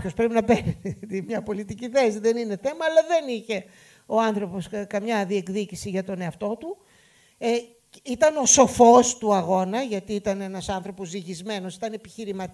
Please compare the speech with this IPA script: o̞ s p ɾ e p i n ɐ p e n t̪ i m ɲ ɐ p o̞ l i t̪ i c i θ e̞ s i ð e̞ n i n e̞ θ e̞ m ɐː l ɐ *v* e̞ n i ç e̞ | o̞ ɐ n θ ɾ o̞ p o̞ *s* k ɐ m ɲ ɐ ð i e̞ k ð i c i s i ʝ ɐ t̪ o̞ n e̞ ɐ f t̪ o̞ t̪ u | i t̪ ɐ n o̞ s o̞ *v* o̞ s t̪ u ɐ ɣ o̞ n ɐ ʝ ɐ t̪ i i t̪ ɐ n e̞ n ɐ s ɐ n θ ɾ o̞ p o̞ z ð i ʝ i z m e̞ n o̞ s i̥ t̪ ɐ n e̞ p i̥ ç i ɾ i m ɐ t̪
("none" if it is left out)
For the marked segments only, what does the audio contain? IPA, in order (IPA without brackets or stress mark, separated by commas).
ð, s, f